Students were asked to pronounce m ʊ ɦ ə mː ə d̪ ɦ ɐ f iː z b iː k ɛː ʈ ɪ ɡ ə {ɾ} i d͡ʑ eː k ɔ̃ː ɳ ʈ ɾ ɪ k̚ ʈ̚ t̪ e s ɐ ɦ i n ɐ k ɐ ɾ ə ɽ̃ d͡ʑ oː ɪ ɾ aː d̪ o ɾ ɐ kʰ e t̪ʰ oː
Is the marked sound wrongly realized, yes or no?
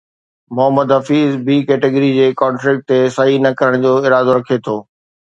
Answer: no